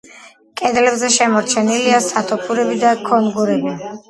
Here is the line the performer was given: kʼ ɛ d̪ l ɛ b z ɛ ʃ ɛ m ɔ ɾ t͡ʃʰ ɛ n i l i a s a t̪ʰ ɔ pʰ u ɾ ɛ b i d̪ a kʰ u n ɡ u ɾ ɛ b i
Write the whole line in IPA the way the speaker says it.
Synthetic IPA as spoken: kʼ ɛ d̪ l ɛ b z ɛ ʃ ɛ m ɔ ɾ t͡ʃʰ ɛ n i l i a s a t̪ʰ ɔ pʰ u ɾ ɛ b i d̪ a kʰ ɔ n ɡ u ɾ ɛ b i